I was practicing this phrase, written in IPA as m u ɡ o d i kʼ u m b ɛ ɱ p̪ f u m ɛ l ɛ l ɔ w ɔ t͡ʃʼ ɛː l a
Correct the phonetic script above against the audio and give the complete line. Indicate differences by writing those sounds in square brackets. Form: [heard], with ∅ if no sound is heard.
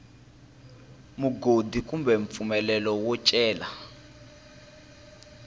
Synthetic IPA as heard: m u ɡ o d i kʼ u m b ɛ ɱ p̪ f u m ɛ l ɛ l ɔ w ɔ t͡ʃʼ ɛː l a